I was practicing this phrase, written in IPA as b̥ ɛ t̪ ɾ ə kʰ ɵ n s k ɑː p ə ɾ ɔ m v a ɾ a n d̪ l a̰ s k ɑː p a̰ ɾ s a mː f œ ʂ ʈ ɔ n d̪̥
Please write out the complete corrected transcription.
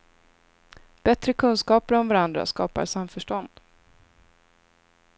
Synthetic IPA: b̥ ɛ t̪ ɾ ə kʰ ɵ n s k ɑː p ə ɾ ɔ m v a ɾ a n d̪ ɾ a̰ s k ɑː p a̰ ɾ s a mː f œ ʂ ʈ ɔ n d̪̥